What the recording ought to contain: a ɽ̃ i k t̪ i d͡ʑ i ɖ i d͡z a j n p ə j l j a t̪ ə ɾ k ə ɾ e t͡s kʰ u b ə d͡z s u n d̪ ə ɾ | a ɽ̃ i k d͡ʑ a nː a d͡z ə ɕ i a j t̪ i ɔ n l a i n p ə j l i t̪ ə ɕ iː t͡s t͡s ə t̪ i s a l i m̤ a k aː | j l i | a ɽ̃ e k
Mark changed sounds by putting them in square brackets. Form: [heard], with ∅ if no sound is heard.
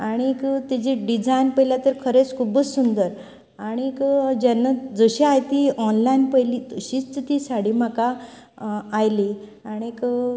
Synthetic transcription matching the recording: a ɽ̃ i k t̪ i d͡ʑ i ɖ i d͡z a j n p ə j l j a t̪ ə ɾ [kʰ] ə ɾ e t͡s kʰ u b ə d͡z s u n d̪ ə ɾ | a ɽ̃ i k d͡ʑ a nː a d͡z ə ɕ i a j t̪ i ɔ n l a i n p ə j l i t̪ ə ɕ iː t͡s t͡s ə t̪ i s a [ɽ] i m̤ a k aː | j l i | a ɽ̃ [i] k